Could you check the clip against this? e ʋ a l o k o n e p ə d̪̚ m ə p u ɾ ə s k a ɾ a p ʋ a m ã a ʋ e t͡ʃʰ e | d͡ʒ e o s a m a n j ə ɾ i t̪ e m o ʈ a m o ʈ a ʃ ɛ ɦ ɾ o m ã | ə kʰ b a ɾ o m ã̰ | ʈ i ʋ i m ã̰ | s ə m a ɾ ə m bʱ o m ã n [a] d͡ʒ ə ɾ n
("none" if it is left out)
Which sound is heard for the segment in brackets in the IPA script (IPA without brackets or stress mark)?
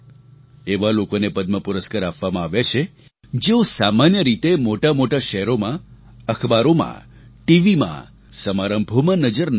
ə